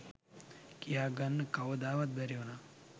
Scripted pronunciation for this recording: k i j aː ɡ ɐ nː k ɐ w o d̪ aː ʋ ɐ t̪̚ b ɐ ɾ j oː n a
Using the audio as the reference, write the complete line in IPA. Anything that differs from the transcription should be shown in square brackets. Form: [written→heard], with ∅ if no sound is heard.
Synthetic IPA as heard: k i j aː ɡ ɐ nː k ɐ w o d̪ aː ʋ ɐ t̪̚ b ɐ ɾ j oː n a